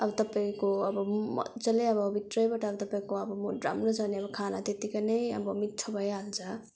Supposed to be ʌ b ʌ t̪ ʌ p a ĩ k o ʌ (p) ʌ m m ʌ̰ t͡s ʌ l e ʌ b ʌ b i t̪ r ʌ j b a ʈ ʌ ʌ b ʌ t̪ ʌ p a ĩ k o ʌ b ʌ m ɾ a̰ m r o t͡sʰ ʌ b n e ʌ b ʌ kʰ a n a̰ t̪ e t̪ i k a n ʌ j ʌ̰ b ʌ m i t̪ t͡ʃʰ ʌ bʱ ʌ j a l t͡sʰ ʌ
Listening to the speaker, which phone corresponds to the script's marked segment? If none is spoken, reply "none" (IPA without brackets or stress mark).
b